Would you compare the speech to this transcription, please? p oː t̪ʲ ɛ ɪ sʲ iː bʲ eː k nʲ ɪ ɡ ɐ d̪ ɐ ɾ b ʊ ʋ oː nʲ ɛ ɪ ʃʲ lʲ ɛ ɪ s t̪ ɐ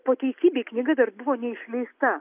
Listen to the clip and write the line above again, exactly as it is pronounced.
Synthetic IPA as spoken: p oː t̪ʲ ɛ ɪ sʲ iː bʲ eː k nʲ ɪ ɡ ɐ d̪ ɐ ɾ b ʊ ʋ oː nʲ ɛ ɪ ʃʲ lʲ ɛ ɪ s t̪ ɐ